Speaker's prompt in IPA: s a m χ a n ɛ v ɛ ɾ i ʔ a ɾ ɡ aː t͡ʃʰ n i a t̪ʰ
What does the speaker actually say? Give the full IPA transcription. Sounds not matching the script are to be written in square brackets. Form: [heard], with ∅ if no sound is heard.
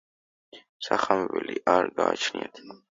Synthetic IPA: s a [∅] χ a [m] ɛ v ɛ [l] i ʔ a ɾ ɡ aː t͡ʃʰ n i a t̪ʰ